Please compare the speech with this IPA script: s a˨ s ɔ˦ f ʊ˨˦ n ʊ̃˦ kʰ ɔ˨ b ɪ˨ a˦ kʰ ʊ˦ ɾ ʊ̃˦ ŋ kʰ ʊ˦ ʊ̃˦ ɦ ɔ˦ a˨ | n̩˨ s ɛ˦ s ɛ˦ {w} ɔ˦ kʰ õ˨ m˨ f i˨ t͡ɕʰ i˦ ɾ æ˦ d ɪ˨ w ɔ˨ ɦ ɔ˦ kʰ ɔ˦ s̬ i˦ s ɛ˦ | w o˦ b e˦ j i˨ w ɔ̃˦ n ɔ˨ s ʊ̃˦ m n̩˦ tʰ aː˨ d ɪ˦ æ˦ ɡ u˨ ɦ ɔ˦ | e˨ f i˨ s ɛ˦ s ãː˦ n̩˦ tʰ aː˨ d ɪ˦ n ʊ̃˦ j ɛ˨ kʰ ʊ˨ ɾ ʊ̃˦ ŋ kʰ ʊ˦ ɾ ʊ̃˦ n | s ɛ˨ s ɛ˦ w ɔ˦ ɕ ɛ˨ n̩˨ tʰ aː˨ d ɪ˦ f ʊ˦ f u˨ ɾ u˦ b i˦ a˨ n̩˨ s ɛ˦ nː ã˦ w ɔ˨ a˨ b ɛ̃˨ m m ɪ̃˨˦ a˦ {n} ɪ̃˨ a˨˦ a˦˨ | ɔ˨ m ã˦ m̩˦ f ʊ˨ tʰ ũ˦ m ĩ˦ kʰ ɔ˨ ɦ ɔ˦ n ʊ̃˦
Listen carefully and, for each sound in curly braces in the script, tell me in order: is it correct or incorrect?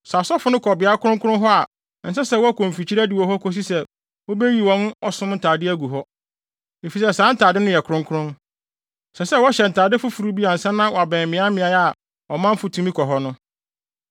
correct, incorrect: m

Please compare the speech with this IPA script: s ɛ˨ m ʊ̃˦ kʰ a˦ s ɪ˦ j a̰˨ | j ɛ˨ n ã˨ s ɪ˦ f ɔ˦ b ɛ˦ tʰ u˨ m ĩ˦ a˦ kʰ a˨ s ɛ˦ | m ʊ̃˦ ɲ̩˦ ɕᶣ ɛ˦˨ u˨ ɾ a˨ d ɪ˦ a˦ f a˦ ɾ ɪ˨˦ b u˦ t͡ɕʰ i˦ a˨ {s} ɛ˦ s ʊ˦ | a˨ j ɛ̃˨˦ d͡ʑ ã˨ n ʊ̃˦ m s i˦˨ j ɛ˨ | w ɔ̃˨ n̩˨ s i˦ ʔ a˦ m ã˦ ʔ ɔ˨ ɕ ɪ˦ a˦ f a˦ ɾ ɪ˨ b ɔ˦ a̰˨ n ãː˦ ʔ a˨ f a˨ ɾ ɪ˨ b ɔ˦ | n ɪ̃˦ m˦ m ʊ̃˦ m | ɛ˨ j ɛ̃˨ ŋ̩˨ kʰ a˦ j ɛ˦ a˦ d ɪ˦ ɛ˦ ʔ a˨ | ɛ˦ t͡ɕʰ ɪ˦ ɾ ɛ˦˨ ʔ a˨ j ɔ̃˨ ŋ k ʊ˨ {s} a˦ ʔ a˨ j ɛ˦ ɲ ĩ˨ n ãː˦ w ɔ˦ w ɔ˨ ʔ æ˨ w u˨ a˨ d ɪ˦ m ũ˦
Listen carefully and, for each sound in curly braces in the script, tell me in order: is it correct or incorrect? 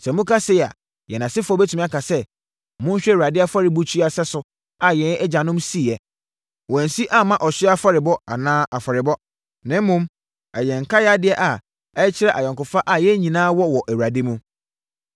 correct, incorrect: f

